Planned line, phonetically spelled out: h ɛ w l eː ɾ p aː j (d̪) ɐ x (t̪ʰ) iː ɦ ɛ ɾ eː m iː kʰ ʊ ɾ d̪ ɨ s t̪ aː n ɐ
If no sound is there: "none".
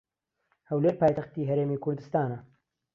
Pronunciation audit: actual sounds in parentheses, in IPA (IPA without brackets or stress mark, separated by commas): t̪, t̪